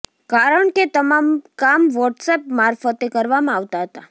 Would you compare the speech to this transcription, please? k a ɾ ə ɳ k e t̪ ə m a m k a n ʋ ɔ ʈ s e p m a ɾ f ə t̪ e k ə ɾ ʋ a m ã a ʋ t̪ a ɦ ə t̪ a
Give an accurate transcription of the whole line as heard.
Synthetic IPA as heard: k a ɾ ə ɳ k e t̪ ə m a m k a m ʋ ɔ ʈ s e p m a ɾ f ə t̪ e k ə ɾ ʋ a m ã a ʋ t̪ a ɦ ə t̪ a